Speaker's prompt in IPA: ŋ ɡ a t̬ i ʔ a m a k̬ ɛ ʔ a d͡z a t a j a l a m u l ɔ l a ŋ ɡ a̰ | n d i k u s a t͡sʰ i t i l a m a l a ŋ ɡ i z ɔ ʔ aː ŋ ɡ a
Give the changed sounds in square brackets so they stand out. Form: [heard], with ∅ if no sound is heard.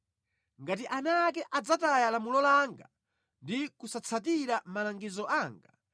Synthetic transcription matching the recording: ŋ ɡ a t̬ i ʔ a [n] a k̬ ɛ ʔ a d͡z a t a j a l a m u l ɔ l a ŋ ɡ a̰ | n d i k u s a t͡sʰ [a] t i [ɾ] a m a l a ŋ ɡ i z ɔ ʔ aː ŋ ɡ a